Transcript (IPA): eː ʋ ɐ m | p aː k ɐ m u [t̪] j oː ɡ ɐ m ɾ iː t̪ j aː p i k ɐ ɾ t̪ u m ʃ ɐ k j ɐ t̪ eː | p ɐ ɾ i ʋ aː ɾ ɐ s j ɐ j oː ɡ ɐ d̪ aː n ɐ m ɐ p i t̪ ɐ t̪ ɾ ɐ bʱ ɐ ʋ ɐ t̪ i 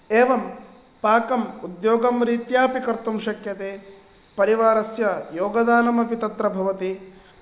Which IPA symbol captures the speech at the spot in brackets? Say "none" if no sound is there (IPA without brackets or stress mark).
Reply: d̪